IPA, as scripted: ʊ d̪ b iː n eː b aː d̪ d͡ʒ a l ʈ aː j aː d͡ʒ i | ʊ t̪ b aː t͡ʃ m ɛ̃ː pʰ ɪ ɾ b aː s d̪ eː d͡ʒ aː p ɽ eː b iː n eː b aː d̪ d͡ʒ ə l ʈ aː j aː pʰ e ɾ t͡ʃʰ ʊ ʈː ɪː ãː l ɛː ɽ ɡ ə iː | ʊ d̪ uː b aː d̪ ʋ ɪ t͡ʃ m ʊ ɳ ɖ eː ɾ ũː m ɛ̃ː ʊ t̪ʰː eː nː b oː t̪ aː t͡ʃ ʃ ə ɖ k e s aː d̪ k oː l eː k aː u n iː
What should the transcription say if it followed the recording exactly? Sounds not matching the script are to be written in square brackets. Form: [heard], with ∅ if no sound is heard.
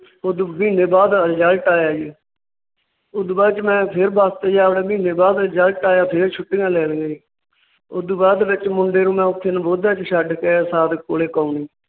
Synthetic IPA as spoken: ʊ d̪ b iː n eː b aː d̪ d͡ʒ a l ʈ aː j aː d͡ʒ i | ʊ [d̪] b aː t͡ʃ m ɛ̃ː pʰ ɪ ɾ b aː s [t̪] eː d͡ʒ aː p ɽ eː b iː n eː b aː d̪ d͡ʒ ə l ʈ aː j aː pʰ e ɾ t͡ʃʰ ʊ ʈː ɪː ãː l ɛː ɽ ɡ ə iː | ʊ d̪ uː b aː d̪ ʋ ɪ t͡ʃ m ʊ ɳ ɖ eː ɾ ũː m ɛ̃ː ʊ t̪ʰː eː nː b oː [d̪] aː t͡ʃ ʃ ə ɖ k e s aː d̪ k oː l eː k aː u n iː